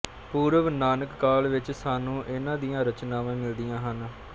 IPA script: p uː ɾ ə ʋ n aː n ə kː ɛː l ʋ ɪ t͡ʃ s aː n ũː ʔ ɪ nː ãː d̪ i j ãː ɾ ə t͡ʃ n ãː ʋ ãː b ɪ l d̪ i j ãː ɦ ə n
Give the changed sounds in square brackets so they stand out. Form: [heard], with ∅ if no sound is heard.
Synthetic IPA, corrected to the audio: p uː ɾ ə ʋ n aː n ə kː [aː] l ʋ ɪ t͡ʃ s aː n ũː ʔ ɪ [n] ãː d̪ i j ãː ɾ ə t͡ʃ n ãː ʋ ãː [m] ɪ l d̪ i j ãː ɦ ə n

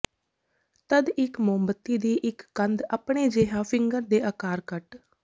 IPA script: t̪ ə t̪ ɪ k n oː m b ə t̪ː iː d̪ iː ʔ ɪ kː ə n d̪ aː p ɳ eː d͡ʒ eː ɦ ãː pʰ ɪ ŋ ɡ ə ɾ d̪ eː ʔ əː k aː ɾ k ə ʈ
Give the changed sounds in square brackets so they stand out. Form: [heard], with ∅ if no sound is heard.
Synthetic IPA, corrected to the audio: t̪ ə [d̪] ɪ k [m] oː m b ə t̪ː iː d̪ iː ʔ ɪ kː ə n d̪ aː p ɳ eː d͡ʒ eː ɦ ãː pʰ ɪ ŋ ɡ ə ɾ d̪ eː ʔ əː k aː ɾ k ə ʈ

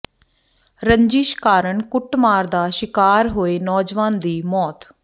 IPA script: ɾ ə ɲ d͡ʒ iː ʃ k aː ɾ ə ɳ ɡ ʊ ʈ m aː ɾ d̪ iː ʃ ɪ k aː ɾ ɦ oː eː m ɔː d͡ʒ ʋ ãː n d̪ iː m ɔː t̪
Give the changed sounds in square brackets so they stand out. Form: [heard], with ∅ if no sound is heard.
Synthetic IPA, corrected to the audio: ɾ ə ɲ d͡ʒ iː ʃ k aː ɾ ə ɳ [k] ʊ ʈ m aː ɾ d̪ [aː] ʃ ɪ k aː ɾ ɦ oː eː [n] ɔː d͡ʒ ʋ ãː n d̪ iː m ɔː t̪

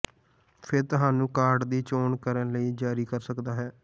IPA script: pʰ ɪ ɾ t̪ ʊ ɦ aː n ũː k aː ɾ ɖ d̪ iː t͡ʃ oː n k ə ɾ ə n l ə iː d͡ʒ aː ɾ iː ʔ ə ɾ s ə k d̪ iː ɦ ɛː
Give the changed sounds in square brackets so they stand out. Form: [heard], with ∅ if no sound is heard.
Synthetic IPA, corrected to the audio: pʰ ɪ ɾ t̪ ʊ ɦ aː n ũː k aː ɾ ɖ d̪ iː t͡ʃ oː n k ə ɾ ə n l ə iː d͡ʒ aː ɾ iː [k] ə ɾ s ə k d̪ [aː] ɦ ɛː

